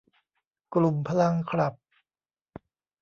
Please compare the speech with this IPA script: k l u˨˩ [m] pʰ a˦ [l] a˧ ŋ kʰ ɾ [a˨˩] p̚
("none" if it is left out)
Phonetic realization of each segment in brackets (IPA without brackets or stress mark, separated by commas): m, l, a˨˩